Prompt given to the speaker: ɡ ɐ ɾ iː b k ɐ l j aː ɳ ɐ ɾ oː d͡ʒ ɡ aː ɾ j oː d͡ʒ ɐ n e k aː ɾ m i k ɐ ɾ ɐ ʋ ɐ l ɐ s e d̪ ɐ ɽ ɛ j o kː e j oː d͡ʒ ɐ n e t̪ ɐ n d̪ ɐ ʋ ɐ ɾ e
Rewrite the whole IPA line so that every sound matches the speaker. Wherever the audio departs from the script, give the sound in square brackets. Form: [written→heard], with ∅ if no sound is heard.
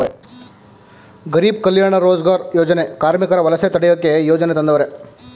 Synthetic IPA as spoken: ɡ ɐ ɾ iː b k ɐ l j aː ɳ ɐ ɾ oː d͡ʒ ɡ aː ɾ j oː d͡ʒ ɐ n e k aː ɾ m i k ɐ ɾ ɐ ʋ ɐ l ɐ s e [d̪→t̪] ɐ ɽ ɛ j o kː e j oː d͡ʒ ɐ n e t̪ ɐ n d̪ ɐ ʋ ɐ ɾ e